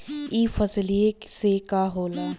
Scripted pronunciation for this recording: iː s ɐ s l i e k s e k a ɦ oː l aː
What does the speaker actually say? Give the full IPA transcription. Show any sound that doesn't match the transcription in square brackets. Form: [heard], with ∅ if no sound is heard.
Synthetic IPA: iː [f] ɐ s l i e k s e k a ɦ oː l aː